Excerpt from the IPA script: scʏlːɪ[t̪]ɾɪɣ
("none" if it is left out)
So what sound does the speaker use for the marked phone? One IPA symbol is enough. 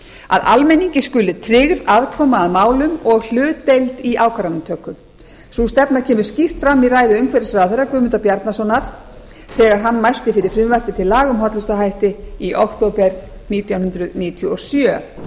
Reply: t̪ʰ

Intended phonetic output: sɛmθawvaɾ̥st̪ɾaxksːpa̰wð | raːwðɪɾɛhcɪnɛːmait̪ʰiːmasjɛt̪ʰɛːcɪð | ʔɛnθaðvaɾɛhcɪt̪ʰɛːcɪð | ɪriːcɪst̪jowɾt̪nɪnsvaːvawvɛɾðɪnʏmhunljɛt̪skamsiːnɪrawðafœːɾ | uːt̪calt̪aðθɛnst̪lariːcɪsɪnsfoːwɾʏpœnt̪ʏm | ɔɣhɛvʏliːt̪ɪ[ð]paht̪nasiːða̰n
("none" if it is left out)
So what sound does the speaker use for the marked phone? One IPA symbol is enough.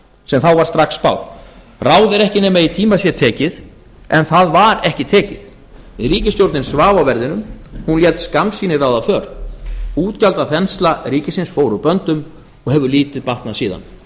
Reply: ð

